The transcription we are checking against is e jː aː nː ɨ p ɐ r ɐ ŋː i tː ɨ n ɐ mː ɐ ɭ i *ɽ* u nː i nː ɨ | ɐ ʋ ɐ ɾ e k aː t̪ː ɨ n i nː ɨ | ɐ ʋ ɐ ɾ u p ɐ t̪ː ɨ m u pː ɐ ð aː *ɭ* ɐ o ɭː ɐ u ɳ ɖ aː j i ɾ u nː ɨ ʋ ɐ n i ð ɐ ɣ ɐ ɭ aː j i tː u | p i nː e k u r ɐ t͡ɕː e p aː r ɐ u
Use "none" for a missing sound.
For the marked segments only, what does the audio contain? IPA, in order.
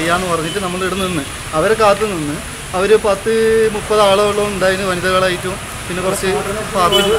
ɽ, ɭ

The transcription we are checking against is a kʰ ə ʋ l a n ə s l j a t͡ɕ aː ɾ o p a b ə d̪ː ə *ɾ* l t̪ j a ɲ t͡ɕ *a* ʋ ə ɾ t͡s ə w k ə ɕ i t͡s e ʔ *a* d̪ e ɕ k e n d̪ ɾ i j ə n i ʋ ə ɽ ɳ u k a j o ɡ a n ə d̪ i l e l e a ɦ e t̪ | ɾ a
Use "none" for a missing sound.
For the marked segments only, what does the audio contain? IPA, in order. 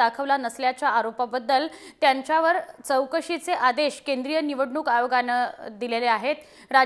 none, a, a

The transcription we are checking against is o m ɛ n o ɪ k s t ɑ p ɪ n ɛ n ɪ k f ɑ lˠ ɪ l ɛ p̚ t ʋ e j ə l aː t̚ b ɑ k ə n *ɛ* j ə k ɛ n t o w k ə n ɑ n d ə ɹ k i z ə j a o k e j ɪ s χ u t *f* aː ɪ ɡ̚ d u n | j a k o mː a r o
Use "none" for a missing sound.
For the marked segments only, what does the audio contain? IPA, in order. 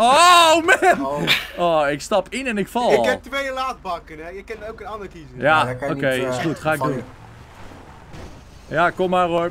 ɛ, χ

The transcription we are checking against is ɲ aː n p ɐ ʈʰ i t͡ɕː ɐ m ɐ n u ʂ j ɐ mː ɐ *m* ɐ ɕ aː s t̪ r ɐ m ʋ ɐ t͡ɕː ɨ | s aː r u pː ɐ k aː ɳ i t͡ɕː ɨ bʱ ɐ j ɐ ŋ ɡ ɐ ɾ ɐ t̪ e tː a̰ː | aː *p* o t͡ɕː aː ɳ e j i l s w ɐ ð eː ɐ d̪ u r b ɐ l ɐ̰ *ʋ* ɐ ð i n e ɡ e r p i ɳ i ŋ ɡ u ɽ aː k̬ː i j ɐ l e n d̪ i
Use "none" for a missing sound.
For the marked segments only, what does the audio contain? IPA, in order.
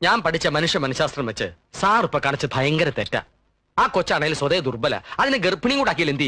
n, k, none

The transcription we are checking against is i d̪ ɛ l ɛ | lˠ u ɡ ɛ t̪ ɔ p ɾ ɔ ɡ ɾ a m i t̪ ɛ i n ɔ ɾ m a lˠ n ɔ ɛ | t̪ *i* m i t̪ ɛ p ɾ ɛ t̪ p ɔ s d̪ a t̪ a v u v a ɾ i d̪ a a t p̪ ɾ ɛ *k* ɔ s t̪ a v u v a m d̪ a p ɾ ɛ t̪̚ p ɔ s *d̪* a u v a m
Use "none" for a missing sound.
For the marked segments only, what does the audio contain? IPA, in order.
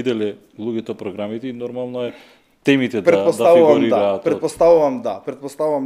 ɛ, p, t̪

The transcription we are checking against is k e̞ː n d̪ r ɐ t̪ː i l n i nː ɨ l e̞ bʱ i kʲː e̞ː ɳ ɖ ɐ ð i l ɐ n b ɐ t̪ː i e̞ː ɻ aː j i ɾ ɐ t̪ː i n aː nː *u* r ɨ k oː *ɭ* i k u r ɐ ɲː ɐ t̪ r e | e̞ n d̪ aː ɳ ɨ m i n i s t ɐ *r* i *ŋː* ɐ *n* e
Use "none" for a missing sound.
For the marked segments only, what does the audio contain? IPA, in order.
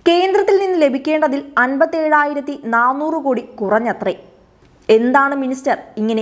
uː, ɽ, r, ŋː, n

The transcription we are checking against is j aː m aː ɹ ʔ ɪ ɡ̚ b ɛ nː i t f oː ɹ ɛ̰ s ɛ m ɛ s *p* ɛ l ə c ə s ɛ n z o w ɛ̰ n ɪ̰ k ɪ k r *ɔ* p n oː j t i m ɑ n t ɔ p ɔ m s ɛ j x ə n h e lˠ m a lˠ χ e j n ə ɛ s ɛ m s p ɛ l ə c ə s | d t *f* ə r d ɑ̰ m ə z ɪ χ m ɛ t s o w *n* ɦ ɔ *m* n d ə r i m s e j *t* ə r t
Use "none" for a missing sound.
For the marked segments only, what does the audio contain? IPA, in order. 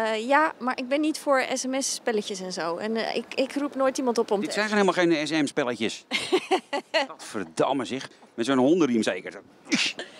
p, u, f, n, none, k

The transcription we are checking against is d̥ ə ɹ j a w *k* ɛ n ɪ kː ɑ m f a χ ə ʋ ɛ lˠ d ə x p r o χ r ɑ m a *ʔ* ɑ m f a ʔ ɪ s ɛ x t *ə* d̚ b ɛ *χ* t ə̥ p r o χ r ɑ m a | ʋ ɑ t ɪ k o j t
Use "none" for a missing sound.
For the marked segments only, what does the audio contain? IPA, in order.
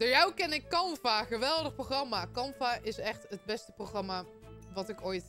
k, k, ə, s

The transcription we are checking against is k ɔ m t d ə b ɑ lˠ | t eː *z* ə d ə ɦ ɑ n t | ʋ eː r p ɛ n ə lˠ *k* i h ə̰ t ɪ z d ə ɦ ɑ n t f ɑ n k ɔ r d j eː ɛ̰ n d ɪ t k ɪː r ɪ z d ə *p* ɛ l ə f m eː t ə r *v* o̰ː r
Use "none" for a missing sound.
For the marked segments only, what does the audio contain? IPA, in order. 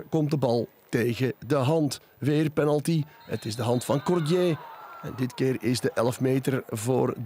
ɣ, t, ʔ, v

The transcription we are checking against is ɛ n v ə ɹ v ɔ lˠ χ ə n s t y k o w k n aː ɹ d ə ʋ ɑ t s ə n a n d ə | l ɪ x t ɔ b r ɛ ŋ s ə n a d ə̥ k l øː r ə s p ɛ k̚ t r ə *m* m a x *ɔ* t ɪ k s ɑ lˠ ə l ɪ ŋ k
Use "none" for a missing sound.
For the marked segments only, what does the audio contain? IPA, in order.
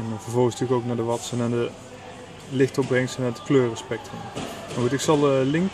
m, u

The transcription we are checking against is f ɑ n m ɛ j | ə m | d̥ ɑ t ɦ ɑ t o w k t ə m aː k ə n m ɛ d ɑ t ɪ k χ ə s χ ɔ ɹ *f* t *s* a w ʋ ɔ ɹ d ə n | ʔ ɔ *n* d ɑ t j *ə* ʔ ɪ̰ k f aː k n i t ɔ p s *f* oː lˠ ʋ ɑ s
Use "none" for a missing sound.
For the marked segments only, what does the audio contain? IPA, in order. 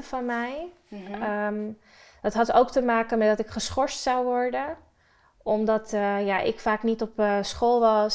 s, s, m, a, χ

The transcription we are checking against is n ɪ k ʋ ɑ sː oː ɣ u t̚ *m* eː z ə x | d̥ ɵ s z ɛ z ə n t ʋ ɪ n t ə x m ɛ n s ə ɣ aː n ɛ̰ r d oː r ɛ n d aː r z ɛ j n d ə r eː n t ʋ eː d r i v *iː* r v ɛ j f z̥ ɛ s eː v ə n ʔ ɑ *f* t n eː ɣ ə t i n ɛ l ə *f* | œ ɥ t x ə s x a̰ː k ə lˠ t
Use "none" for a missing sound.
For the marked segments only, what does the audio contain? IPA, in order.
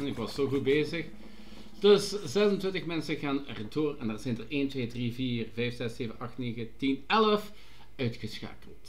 b, iː, x, f

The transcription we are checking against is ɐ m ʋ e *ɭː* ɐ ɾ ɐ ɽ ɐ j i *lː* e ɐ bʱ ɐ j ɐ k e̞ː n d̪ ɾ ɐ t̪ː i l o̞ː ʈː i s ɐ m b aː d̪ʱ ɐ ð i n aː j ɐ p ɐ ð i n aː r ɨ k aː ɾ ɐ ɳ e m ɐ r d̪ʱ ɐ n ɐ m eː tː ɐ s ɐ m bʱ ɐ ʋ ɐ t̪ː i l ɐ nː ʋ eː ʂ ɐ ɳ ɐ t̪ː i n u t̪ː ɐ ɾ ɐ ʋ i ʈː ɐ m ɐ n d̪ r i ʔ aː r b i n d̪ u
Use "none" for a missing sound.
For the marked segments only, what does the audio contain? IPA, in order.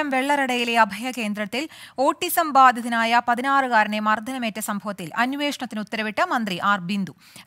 ɭː, l

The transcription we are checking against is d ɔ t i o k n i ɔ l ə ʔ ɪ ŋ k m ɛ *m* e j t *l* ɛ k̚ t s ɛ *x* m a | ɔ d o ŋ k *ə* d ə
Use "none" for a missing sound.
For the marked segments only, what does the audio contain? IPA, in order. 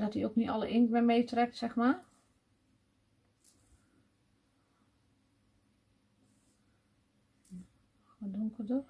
m, r, x, ə

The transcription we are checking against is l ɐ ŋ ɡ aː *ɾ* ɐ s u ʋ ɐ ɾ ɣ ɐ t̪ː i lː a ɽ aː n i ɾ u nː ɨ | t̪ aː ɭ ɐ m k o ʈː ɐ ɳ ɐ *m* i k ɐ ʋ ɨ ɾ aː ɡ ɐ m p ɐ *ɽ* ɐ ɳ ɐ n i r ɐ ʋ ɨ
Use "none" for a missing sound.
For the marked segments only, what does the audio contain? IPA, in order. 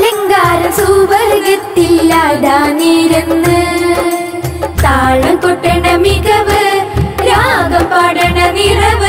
ɾ, m, ɽ

